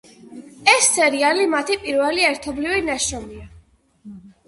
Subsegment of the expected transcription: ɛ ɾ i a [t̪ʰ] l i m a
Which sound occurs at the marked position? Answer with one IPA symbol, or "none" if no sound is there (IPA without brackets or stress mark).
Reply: none